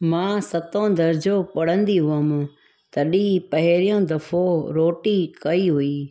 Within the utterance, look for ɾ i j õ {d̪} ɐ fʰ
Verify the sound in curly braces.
correct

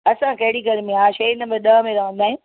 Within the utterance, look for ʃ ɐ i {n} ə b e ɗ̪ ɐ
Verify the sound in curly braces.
correct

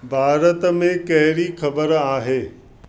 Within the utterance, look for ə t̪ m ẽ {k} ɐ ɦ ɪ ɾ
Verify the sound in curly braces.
correct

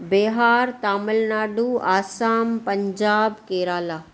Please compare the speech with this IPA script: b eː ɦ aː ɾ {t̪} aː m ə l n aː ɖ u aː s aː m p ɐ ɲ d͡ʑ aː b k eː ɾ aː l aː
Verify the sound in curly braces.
correct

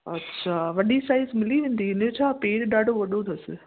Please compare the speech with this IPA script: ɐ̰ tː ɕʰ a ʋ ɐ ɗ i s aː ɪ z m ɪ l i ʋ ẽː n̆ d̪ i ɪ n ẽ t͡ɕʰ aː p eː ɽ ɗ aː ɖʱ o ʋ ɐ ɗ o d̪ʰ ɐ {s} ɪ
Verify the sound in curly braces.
correct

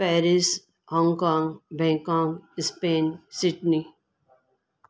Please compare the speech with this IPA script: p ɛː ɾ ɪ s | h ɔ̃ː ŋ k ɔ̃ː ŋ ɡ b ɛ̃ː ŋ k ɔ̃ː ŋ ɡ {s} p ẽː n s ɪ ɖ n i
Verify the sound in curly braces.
correct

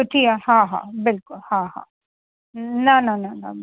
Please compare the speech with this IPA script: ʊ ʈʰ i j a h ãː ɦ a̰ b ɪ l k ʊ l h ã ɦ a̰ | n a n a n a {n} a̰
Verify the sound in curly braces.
correct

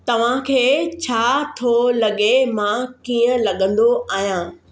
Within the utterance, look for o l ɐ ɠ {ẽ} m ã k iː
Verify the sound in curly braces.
incorrect: e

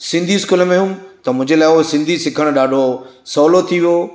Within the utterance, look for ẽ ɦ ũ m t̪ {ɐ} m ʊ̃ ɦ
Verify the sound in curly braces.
correct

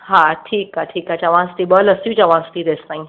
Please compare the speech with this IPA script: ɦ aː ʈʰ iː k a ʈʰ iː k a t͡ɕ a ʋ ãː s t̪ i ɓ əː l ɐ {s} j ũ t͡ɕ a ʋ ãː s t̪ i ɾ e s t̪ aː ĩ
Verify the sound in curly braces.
correct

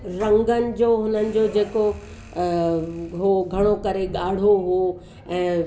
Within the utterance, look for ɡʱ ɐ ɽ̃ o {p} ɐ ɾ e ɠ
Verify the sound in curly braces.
incorrect: k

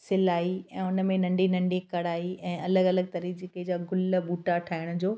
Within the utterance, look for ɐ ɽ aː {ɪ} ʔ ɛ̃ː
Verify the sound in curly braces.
incorrect: i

